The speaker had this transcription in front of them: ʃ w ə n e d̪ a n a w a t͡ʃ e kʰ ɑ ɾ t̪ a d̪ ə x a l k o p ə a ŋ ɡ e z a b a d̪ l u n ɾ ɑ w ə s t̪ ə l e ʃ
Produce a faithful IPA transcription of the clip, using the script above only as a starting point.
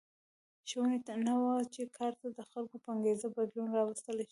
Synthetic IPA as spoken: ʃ w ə n e t̪ a n a w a t͡ʃ e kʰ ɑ ɾ t̪ a d̪ ə x a l k o p ə a ŋ ɡ e z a b a d̪ l u n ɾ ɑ w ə s t̪ ə l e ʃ